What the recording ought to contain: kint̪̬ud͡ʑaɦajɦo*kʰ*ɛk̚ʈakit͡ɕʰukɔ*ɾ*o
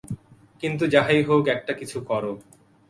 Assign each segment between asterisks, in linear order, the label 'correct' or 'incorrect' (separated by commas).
incorrect, correct